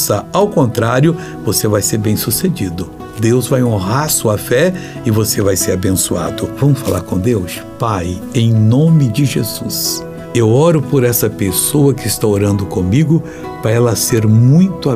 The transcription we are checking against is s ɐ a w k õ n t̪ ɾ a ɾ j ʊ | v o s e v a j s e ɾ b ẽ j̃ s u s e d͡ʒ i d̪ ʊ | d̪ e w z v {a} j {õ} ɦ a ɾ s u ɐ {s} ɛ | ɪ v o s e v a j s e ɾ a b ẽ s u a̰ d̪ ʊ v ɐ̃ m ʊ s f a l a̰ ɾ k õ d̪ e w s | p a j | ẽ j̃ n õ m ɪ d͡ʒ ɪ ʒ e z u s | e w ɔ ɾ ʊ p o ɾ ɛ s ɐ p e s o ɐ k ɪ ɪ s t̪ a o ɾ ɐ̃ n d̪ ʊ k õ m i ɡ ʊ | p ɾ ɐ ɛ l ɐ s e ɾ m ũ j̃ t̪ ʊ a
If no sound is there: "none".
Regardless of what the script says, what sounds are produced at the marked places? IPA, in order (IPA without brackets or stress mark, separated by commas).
a, õ, f